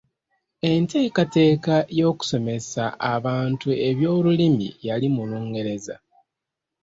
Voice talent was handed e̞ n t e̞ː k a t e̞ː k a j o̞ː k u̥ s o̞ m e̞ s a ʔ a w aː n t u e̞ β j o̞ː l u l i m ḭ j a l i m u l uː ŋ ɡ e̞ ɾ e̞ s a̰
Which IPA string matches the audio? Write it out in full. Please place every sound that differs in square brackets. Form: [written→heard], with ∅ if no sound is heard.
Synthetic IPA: e̞ n t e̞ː k a t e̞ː k a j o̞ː k u̥ s o̞ m e̞ s a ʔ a [w→β] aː n t u e̞ β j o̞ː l u l i m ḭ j a l i m u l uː ŋ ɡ e̞ ɾ e̞ [s→z] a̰